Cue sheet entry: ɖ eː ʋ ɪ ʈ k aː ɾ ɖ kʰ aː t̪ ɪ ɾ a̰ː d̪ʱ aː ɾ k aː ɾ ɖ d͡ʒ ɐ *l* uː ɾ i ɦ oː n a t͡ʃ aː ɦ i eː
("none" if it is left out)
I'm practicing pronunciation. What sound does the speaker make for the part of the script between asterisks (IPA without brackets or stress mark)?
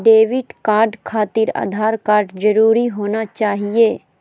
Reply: ɾ